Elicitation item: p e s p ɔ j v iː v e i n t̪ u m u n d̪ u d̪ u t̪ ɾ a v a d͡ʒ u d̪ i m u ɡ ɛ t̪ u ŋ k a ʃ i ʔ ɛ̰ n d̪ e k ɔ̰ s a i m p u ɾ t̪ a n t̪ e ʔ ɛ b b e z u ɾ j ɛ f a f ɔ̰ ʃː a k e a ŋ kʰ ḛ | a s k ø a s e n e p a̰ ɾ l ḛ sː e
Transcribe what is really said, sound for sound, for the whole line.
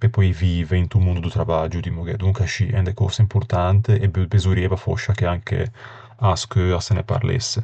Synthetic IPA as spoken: p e p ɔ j v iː v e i n t̪ u m u n d̪ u d̪ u t̪ ɾ a v a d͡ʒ u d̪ i m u ɡ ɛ d̪ u ŋ k a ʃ i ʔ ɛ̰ n d̪ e k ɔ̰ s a i m p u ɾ t̪ a n t̪ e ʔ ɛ b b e z u ɾ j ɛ v a f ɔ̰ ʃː a k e a ŋ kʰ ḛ | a s k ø a s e n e p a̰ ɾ l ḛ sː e

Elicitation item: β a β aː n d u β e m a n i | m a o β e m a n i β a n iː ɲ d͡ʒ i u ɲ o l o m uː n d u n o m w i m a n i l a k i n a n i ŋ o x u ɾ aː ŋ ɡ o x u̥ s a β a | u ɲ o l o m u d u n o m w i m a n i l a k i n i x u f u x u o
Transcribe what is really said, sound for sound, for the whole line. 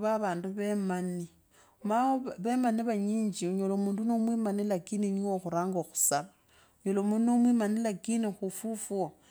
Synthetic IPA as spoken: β a β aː n d u β e m a n i | m a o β e m a n i β a ɲ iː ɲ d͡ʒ i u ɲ o l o m uː n d u n o m w i m a n i l a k i n i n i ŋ o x u ɾ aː ŋ ɡ o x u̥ s a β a | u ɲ o l o m u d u n o m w i m a n i l a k i n i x u f u f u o

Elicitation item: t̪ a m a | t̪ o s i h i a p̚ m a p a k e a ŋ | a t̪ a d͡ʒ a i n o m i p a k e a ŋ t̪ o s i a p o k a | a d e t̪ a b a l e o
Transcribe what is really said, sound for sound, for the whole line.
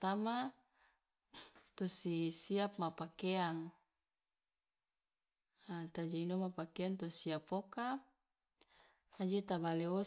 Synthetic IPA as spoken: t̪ a m a | t̪ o s i s i a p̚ m a p a k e a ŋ | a t̪ a d͡ʒ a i n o m a p a k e a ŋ t̪ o s i a p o k a | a d͡ʒ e t̪ a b a l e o

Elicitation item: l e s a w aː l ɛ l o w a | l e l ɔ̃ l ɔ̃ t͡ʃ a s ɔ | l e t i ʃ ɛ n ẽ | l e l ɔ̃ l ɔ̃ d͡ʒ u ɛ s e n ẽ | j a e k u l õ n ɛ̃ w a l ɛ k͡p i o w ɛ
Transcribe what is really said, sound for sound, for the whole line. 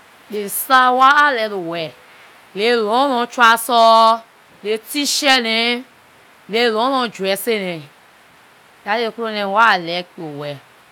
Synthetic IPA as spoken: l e s a w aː l ɛ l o w ɛ | l e l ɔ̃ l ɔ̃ t͡ʃ a s ɔ | l e t i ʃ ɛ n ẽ | l e l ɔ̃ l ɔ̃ d͡ʒ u ɛ s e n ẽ | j a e k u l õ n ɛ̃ w a l ɛ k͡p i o w ɛ

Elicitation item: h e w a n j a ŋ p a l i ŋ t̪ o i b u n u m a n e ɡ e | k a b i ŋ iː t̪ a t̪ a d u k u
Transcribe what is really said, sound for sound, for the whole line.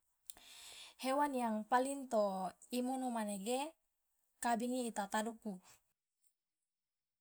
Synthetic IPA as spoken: h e w a n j a ŋ p a l i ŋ t̪ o i m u n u m a n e ɡ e | k a b i ŋ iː t̪ a t̪ a d u k u

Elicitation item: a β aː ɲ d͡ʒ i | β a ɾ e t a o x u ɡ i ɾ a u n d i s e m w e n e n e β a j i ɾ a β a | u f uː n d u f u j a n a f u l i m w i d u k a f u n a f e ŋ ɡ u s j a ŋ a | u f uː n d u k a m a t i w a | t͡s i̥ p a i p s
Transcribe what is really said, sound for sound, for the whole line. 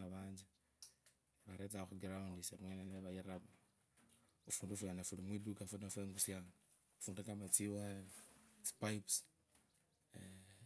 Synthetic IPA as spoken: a β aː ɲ d͡ʒ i | β a ɾ e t a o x u ɡ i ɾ a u n d i s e m w e n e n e β a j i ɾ a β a | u f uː n d u f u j a n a f u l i m w i d u k a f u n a f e ŋ ɡ u s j a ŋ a | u f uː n d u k a m a t͡s i w a | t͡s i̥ p a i p s

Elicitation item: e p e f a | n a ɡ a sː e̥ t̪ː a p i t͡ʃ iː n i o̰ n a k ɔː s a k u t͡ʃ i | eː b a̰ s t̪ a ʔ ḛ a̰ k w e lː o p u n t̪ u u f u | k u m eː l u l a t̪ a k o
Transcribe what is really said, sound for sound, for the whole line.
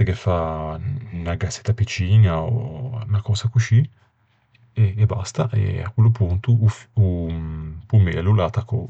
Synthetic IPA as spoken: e k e f a | n a ɡ a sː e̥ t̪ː a p i t͡ʃ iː n a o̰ n a k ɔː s a k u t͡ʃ i | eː b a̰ s t̪ a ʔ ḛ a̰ k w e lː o p u n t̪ u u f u | p u m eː l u l a t̪ a k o

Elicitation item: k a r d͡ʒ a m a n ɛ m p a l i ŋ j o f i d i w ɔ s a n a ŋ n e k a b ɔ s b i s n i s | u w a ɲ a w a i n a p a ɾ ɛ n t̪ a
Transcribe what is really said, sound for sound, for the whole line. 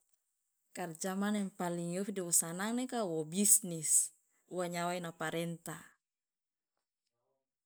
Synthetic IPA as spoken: k a r d͡ʒ a m a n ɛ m p a l i ŋ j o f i d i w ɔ s a n a ŋ n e k a w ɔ b i s n i s | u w a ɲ a w a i n a p a ɾ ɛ n t̪ a

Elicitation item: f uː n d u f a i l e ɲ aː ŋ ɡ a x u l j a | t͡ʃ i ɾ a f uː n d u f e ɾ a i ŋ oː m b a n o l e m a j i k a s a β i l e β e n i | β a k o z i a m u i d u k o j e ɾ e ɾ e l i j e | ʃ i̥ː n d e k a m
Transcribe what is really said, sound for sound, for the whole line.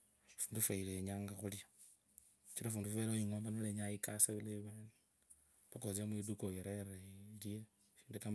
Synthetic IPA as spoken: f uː n d u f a i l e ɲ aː ŋ ɡ a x u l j a | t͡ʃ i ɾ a f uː n d u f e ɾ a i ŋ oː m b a n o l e ɲ a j i k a s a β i l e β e n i | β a k o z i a m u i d u k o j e ɾ e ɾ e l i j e | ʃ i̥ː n d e k a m

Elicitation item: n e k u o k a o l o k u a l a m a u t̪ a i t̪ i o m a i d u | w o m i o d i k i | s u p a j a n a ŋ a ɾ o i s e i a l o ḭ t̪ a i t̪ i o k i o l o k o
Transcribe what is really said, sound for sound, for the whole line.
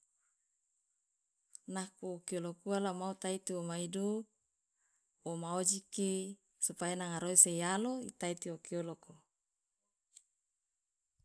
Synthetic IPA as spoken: n a k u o k i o l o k u a l a m a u t̪ a i t̪ i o m a i d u | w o m a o d͡ʒ i k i | s u p a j a n a ŋ a ɾ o i s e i a l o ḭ t̪ a i t̪ i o k i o l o k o

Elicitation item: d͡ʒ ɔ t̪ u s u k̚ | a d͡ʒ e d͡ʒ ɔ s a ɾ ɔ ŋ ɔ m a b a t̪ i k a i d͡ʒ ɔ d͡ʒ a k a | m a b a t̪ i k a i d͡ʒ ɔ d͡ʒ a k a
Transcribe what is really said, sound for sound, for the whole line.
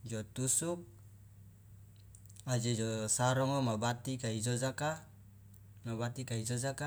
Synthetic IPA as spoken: d͡ʒ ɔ t̪ u s u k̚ | a d͡ʒ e d͡ʒ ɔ s a ɾ ɔ ŋ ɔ m a b a t̪ i k a i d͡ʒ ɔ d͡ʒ a k a | m a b a t̪ i k a i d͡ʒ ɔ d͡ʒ a k a

